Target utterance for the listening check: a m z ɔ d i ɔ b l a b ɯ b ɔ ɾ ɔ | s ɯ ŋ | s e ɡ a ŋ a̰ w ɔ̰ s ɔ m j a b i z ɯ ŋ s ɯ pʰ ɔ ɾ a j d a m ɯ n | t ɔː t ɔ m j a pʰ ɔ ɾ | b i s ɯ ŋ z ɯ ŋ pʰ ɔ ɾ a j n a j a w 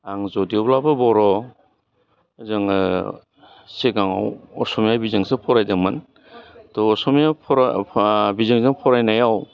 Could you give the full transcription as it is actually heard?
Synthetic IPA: a ŋ z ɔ d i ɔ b l a b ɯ b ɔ ɾ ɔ | z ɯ ŋ | s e ɡ a ŋ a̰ w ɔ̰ s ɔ m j a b i z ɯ ŋ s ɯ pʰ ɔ ɾ a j d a m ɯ n | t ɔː s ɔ m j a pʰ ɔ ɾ | b i z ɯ ŋ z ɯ ŋ pʰ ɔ ɾ a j n a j a w